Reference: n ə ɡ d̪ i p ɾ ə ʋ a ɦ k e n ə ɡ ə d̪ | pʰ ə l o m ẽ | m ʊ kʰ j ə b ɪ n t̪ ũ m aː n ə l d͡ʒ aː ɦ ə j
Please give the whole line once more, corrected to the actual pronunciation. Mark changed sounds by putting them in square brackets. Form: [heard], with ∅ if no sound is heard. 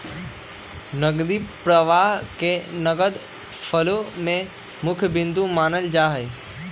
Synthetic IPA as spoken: n ə ɡ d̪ i p ɾ ə ʋ a ɦ k e n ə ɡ ə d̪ | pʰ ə l o m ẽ | m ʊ kʰ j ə b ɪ n [d̪] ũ m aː n ə l d͡ʒ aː ɦ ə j

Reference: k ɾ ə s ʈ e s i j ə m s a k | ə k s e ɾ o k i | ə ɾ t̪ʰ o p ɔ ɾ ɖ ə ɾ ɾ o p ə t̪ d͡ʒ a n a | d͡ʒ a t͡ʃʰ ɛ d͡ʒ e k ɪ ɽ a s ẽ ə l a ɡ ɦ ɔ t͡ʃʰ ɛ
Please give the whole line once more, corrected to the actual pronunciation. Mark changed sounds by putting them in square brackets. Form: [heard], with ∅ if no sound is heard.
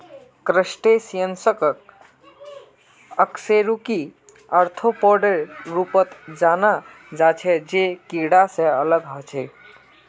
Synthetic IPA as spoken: k ɾ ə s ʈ e s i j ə [n] s [ə] k | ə k s e ɾ [u] k i | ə ɾ t̪ʰ o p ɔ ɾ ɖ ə ɾ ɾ [u] p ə t̪ d͡ʒ a n a | d͡ʒ a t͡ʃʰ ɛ d͡ʒ e k [i] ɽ a s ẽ ə l [ə] ɡ ɦ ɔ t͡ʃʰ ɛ

